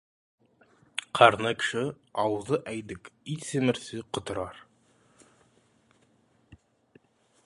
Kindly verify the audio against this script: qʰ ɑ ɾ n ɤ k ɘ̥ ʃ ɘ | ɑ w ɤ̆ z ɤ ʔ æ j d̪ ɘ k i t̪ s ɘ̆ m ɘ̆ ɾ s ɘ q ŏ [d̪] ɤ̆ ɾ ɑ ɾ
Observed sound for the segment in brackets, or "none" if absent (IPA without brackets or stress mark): t̪